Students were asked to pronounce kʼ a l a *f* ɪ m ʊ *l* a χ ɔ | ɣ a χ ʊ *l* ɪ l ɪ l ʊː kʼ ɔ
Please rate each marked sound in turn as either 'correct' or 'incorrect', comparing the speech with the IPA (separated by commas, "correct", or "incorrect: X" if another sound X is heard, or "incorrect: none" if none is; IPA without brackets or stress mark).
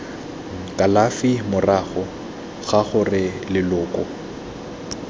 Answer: correct, incorrect: r, incorrect: r